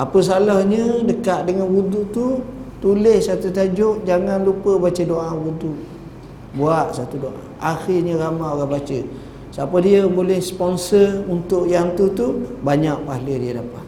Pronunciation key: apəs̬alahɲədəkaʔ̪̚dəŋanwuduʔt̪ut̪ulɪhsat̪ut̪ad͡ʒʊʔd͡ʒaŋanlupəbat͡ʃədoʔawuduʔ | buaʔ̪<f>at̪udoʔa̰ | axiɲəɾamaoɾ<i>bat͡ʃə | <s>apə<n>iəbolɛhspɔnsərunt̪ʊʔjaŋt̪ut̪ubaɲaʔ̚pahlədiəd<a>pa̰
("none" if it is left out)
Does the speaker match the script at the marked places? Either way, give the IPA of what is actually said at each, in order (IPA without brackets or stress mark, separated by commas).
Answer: s, a, s, d, a